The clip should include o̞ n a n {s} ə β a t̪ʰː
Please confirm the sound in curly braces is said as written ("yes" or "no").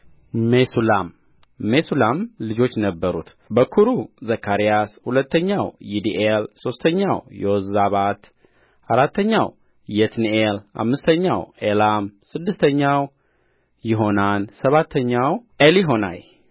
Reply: yes